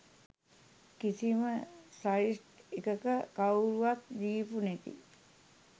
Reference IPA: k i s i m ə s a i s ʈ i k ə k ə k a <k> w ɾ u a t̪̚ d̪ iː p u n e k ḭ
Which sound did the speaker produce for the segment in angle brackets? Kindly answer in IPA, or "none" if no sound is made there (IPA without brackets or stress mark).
none